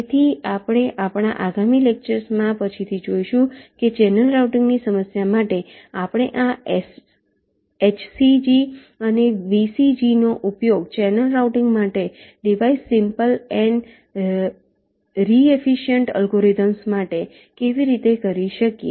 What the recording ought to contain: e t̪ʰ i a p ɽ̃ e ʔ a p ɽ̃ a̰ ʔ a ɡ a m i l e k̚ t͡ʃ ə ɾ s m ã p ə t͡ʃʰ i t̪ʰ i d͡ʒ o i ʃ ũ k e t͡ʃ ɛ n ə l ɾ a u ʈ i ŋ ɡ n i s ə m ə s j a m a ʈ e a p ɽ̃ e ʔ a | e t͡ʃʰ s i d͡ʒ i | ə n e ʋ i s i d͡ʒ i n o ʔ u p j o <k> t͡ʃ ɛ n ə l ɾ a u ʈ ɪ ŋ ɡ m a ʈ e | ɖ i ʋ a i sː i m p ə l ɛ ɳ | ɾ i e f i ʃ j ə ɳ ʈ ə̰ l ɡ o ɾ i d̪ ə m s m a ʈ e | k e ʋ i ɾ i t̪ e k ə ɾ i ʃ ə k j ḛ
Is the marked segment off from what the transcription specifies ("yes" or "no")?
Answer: yes